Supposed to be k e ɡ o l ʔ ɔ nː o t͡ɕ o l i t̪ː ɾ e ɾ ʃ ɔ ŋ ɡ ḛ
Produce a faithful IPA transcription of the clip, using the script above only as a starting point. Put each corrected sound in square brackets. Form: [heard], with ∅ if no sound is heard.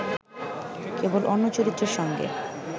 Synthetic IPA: k e [b] o l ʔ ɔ nː o t͡ɕ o [ɾ] i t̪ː ɾ e ɾ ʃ ɔ ŋ ɡ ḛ